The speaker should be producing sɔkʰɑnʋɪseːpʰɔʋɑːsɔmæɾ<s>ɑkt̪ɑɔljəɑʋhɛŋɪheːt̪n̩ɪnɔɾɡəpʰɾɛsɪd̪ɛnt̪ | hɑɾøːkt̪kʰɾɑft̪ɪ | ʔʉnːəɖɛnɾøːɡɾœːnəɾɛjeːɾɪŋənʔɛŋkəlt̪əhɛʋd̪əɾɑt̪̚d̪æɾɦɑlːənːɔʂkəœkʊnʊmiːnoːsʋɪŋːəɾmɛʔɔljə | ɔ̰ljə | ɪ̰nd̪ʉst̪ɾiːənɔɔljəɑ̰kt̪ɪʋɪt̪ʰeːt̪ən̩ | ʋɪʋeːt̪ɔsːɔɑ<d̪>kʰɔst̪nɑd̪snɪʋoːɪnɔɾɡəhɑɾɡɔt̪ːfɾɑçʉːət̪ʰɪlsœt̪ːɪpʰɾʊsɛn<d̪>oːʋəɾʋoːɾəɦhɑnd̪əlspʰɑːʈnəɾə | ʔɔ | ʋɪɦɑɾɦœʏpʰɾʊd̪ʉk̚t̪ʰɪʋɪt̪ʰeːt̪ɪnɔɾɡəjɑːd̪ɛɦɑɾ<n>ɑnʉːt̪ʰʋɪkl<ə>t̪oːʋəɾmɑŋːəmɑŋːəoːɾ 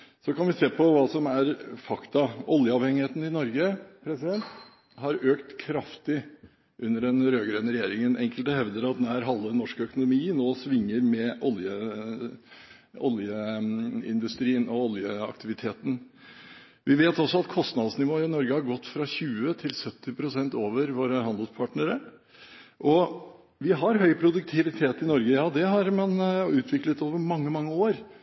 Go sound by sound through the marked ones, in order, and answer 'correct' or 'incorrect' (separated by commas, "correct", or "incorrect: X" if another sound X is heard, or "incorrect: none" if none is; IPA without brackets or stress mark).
incorrect: f, incorrect: t̪, incorrect: t̪, incorrect: m, correct